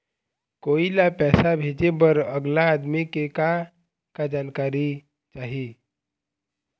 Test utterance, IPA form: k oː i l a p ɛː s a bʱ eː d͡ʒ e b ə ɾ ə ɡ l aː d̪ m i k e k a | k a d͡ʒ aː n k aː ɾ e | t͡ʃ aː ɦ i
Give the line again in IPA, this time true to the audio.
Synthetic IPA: k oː i l a p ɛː s a bʱ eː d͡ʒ e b ə ɾ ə ɡ l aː d̪ m i k e k a | k a d͡ʒ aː n k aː ɾ i | t͡ʃ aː ɦ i